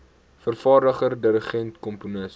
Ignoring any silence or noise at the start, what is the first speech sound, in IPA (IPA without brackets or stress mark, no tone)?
f